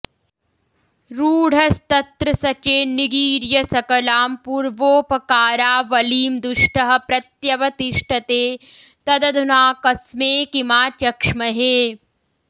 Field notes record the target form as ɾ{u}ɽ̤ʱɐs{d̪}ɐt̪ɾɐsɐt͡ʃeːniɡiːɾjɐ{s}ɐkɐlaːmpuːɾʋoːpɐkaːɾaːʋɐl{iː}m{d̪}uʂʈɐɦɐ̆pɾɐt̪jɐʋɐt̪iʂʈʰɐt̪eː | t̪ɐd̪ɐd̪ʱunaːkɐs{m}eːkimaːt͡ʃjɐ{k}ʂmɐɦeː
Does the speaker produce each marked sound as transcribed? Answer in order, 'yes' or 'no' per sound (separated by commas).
no, no, yes, yes, yes, yes, yes